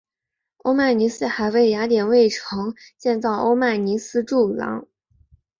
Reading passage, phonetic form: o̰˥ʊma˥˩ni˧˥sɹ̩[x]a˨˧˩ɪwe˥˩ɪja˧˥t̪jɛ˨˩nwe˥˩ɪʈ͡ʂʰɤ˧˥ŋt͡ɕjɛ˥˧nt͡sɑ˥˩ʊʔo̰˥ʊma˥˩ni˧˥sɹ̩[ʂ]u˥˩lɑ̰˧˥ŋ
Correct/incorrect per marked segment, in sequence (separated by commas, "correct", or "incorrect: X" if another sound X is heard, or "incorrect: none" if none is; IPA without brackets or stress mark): correct, incorrect: ʈ͡ʂ